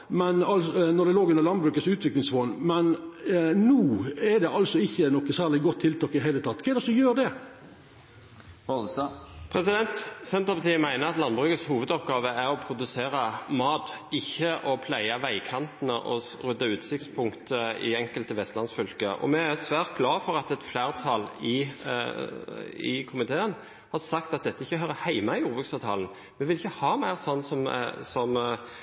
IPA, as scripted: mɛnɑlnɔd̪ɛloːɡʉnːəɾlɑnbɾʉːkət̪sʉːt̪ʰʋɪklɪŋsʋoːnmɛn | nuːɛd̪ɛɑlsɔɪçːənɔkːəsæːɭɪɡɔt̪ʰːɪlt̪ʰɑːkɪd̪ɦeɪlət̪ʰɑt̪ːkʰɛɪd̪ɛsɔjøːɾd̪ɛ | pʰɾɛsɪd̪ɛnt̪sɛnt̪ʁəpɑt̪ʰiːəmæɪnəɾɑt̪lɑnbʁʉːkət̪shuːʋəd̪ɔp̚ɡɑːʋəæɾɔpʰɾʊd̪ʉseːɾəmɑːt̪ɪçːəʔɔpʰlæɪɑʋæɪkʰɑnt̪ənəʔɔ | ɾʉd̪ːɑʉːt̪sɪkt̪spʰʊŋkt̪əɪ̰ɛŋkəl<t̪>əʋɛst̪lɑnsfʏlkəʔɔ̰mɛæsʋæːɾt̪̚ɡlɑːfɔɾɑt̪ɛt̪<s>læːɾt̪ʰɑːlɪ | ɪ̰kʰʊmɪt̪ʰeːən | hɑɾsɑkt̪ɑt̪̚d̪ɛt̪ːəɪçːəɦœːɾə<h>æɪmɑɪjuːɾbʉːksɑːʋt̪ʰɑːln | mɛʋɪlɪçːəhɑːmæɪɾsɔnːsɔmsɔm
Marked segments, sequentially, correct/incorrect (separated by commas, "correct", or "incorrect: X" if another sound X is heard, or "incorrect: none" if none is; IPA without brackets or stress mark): correct, incorrect: f, correct